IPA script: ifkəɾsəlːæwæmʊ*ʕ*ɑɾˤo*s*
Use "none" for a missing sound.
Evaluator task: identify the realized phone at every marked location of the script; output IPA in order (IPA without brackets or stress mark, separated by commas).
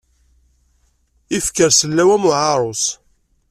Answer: ʕ, s